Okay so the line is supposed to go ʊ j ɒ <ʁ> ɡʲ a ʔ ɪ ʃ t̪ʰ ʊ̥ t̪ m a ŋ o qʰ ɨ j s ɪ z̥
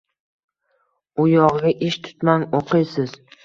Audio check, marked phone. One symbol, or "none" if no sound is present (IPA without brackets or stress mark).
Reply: ʁ